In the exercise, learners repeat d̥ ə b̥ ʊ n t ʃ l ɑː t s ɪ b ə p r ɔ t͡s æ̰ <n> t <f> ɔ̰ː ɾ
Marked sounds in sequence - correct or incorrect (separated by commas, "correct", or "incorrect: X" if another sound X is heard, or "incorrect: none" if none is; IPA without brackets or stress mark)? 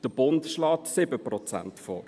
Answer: correct, correct